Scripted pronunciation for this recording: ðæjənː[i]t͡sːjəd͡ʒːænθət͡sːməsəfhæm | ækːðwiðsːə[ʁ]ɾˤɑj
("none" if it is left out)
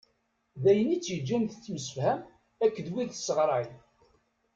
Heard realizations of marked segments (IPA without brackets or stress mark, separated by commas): i, ʁ